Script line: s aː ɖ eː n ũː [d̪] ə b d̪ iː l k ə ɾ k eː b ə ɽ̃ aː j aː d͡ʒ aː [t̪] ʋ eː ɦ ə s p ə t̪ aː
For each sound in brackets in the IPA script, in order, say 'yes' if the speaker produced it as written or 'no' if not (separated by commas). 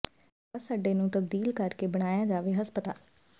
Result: no, no